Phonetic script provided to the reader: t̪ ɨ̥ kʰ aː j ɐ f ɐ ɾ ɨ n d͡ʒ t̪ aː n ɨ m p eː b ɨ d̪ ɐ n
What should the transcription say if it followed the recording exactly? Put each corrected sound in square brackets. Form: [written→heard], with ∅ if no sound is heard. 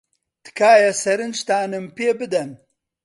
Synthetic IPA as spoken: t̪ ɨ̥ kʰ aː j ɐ [f→s] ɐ ɾ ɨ n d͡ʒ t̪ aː n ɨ m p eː b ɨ d̪ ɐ n

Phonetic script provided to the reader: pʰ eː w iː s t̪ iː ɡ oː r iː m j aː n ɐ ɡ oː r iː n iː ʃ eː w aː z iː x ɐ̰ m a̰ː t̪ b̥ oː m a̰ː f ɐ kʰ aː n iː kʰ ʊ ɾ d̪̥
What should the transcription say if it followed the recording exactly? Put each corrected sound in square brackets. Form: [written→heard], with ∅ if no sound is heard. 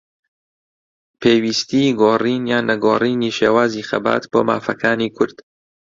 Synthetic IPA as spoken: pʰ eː w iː s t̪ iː ɡ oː r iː [m→n] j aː n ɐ ɡ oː r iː n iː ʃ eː w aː z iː x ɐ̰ [m→b] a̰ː t̪ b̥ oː m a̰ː f ɐ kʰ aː n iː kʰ ʊ ɾ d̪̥

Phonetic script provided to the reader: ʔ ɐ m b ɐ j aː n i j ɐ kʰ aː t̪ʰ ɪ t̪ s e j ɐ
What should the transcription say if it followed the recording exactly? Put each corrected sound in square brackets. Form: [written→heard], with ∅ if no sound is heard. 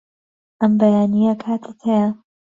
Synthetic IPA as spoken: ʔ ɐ m b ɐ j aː n i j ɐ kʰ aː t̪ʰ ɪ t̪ [s→h] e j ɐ

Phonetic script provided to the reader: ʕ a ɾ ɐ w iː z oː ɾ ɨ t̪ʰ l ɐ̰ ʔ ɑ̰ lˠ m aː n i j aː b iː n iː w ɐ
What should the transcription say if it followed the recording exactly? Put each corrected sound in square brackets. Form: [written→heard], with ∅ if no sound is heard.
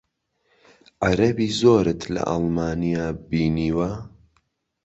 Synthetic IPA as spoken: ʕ a ɾ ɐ [w→b] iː z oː ɾ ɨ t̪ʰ l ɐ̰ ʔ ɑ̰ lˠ m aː n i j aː b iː n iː w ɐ

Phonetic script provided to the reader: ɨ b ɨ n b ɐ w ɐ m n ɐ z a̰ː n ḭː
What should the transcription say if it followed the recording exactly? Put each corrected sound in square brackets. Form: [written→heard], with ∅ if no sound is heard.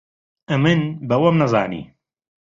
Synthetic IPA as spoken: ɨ [b→m] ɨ n b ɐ w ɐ m n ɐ z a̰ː n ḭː

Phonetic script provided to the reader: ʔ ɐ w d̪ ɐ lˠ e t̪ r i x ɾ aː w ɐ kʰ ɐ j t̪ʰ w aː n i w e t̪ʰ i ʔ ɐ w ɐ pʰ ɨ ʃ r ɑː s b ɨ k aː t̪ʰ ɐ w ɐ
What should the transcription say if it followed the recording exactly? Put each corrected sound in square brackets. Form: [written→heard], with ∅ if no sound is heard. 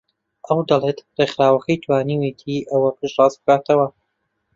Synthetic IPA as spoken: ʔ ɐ w d̪ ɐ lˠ e t̪ r [i→e] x ɾ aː w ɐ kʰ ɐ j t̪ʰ w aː n i w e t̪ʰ i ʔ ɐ w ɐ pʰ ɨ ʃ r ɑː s b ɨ k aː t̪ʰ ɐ w ɐ

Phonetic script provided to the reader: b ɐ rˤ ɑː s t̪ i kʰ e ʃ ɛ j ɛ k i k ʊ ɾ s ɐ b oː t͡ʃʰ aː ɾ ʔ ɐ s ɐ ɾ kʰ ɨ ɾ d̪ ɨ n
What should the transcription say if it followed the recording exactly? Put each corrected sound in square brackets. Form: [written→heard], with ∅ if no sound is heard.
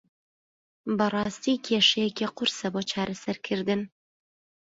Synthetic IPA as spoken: b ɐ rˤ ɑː s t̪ i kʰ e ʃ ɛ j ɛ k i [k→q] ʊ ɾ s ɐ b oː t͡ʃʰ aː ɾ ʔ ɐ s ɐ ɾ kʰ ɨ ɾ d̪ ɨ n

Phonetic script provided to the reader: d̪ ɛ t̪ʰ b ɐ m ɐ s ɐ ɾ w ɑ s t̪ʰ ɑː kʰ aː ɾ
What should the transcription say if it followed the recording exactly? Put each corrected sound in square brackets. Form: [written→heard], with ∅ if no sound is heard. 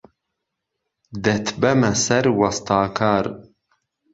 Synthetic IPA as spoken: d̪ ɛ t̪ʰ b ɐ m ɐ s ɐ ɾ w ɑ s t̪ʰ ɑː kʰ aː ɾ

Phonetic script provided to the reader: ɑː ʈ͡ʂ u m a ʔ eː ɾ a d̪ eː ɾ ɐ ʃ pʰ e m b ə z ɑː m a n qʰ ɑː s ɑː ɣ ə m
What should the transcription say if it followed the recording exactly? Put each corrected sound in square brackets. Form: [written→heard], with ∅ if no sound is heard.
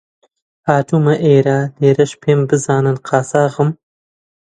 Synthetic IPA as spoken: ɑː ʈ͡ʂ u m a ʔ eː ɾ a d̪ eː ɾ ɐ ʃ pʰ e m b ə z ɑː [m→n] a n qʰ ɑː s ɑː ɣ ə m

